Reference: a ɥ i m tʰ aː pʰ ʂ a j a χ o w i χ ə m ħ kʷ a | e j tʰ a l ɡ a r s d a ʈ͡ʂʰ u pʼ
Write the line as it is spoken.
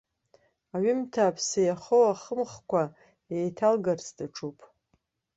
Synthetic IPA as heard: a ɥ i m tʰ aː pʰ s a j a χ o w a χ ə m χ kʷ a | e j tʰ a l ɡ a r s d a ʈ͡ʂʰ u pʼ

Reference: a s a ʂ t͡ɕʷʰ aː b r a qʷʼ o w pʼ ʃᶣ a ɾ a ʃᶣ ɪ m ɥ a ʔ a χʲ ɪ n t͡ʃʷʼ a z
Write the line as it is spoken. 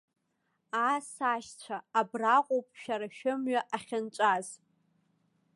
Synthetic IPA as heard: a s a ʃ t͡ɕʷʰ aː b r a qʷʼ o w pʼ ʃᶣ a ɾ a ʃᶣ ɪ m ɥ a ʔ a χʲ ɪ n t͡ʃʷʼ a z

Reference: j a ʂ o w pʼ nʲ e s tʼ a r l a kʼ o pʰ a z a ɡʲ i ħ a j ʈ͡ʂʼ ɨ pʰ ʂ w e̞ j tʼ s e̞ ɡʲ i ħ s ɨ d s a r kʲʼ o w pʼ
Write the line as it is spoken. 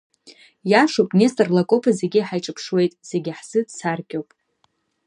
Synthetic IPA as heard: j a ʂ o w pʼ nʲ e s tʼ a r l a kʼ o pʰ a z e ɡʲ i ħ a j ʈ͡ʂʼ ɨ pʰ ʂ w e̞ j tʼ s e̞ ɡʲ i ħ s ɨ d s a r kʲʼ o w pʼ

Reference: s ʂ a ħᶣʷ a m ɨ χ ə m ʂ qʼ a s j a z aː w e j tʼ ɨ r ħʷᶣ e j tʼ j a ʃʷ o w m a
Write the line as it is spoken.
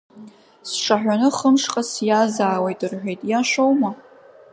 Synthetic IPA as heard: s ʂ a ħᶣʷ a n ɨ χ ə m ʂ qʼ a s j a z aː w e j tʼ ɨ r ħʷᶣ e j tʼ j a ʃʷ o w m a

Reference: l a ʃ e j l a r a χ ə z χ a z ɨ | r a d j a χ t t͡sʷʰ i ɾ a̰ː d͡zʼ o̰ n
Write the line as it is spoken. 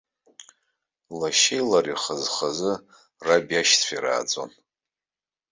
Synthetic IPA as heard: l a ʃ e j l a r i χ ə z χ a z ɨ | r a b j a ʃ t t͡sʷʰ i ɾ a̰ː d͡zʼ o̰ n

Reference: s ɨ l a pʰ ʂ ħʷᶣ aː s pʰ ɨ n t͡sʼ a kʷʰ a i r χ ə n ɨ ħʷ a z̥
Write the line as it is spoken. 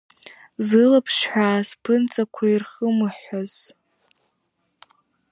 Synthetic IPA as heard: z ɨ l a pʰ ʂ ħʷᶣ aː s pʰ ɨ n t͡sʼ a kʷʰ a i r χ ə m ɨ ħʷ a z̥

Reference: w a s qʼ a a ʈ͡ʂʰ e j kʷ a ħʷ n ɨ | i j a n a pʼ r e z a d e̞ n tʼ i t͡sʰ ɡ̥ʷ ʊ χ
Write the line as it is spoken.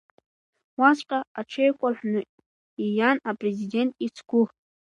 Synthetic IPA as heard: w a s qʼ a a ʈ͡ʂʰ e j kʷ a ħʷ n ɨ | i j a n a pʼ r e z i d e̞ n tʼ i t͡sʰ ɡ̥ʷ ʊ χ

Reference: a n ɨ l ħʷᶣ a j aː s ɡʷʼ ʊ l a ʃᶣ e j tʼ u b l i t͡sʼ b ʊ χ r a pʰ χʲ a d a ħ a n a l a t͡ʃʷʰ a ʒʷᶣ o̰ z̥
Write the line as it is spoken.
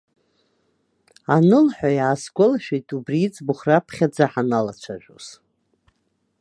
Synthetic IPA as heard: a n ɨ l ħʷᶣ a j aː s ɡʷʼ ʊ l a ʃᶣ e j tʼ u b r i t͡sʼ b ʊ χ r a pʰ χʲ a d͡z a ħ a n a l a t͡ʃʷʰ a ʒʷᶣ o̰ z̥

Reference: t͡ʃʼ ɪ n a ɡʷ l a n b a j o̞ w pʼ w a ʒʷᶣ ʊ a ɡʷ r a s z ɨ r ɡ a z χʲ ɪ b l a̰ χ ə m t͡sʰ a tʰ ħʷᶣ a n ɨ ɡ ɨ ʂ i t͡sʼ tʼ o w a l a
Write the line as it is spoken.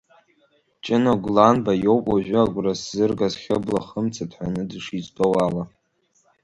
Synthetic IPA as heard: t͡ʃʼ ɪ n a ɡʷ l a n b a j o̞ w pʼ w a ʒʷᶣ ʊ a ɡʷ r a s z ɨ r ɡ a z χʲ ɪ b l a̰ χ ə m t͡sʰ a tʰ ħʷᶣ a n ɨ d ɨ ʂ i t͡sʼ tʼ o w a l a

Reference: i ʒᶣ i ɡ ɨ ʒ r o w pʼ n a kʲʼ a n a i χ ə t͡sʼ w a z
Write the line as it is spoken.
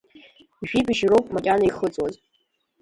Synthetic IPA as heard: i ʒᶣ i b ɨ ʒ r o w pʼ m a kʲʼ a n a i χ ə t͡sʼ w a z

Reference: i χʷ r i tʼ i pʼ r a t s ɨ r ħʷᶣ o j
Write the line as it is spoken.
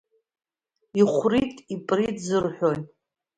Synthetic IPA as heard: i χʷ r i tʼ i pʼ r i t z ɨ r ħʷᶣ o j

